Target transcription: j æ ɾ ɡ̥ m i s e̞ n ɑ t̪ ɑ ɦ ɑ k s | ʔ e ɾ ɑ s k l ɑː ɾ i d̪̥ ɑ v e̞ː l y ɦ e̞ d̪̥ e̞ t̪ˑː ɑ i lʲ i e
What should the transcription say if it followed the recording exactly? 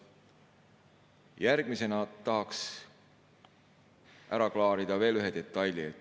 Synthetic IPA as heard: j æ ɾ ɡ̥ m i s e̞ n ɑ t̪ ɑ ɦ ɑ k s | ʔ æ ɾ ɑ k l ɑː ɾ i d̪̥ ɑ v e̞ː l y ɦ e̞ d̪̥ e̞ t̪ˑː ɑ j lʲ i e